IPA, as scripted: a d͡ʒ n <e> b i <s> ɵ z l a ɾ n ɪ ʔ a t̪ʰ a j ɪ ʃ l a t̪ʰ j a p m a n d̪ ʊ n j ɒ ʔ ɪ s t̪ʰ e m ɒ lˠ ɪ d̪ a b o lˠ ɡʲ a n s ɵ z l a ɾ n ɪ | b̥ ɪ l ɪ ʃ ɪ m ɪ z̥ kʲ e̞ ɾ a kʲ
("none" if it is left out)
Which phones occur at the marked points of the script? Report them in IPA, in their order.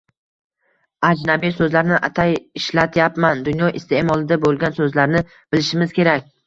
a, s

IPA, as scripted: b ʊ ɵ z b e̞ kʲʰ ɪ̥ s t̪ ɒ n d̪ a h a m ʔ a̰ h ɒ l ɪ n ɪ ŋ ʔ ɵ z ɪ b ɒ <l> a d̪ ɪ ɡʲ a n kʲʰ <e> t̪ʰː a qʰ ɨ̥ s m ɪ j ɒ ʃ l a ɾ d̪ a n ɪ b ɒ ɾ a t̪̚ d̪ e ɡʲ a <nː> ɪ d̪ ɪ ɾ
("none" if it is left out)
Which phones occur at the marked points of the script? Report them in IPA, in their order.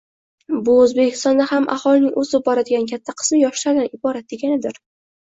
ɾ, a, n

